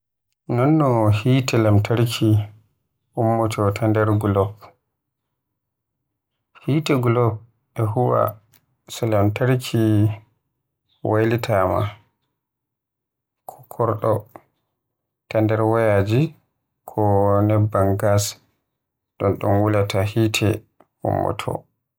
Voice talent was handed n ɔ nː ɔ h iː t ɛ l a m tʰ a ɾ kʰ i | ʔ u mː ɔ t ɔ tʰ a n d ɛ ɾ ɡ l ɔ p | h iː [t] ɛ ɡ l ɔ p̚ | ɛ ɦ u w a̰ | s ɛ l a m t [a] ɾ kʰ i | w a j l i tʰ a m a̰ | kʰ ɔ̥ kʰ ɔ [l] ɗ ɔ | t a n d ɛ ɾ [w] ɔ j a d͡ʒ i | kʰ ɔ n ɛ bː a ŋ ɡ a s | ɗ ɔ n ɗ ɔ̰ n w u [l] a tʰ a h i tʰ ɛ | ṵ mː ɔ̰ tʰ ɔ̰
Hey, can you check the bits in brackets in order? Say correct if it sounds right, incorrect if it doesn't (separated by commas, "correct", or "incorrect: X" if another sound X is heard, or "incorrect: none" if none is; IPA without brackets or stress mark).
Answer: correct, correct, incorrect: ɾ, correct, correct